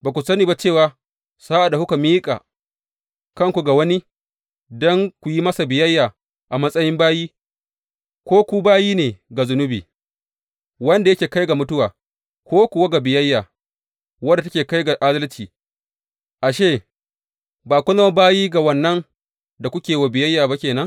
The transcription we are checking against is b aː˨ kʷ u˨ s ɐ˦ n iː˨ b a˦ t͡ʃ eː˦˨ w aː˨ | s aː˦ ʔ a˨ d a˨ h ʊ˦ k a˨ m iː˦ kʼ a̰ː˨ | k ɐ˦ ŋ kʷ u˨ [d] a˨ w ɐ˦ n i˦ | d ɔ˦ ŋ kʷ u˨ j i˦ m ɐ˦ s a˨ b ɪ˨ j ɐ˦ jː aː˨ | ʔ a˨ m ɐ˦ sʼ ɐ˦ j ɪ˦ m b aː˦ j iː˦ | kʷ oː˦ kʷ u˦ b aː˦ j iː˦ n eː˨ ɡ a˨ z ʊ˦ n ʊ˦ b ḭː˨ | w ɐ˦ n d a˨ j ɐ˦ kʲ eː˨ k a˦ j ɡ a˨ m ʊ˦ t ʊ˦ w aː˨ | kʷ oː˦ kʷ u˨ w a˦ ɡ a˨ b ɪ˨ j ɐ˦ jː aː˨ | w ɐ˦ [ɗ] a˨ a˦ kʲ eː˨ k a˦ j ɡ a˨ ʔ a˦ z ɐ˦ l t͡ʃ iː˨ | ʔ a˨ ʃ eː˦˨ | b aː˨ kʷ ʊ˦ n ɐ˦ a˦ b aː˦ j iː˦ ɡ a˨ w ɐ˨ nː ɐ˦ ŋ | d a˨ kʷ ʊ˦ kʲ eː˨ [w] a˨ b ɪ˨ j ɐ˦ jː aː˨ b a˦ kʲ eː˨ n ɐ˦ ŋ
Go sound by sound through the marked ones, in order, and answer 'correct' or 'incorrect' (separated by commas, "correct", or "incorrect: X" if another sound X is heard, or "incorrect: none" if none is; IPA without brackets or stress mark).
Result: incorrect: ɡ, incorrect: d, correct